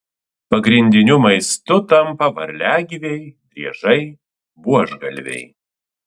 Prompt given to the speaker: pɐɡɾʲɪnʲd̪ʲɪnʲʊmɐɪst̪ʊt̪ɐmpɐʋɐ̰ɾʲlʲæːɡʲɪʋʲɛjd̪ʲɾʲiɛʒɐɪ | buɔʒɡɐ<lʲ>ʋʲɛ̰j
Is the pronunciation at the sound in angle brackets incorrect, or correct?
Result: correct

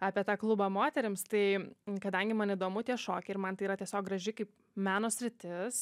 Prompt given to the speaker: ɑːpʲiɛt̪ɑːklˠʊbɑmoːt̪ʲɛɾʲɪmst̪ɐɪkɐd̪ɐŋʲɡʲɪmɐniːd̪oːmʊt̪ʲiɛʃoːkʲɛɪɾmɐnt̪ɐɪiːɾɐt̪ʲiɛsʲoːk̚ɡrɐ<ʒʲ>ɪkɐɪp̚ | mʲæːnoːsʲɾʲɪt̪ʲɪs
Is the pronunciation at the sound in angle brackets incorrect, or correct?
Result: correct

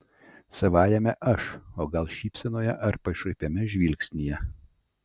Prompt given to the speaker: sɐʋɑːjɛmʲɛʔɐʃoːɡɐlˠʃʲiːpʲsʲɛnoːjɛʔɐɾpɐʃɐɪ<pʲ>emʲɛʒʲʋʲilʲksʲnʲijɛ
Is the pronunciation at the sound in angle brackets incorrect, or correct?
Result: correct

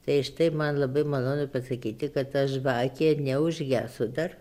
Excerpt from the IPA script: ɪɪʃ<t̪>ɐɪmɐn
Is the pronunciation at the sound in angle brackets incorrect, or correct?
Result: correct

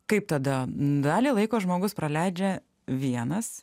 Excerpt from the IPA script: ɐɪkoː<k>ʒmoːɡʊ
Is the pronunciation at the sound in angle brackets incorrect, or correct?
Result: incorrect: none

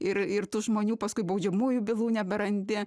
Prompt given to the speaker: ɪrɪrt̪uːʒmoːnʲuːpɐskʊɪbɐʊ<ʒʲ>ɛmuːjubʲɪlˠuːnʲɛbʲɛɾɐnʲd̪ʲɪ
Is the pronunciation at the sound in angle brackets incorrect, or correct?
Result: incorrect: d͡ʒʲ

